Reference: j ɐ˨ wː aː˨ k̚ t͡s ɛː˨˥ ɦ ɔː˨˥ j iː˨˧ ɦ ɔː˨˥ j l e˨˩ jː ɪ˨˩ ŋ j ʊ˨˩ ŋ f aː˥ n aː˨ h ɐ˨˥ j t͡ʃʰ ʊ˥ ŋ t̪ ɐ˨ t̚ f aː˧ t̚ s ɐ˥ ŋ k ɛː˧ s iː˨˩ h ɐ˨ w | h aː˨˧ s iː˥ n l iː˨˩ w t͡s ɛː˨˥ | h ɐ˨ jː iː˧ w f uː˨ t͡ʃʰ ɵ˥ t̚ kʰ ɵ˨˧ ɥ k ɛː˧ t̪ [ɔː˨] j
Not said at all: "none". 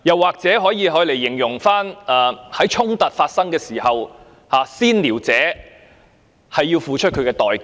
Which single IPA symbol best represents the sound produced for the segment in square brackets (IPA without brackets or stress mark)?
ɔː˨